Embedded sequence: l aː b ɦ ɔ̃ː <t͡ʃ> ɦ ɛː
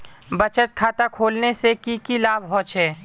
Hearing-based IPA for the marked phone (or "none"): t͡ʃ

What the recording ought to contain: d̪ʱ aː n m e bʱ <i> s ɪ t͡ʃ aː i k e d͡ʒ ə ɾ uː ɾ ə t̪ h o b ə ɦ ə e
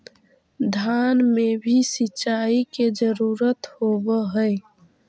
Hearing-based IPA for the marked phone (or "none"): i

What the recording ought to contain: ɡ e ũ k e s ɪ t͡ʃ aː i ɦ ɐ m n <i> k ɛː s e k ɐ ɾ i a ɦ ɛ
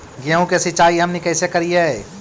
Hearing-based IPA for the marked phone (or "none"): e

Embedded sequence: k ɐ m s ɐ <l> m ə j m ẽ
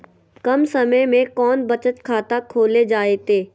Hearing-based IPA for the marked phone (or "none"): none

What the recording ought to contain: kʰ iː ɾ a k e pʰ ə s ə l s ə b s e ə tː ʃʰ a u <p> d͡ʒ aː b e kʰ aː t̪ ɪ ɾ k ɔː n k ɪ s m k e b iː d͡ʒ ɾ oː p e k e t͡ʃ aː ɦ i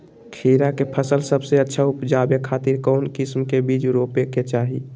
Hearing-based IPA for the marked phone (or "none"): p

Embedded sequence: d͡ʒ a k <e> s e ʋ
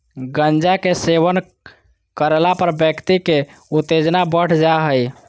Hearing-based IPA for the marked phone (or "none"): e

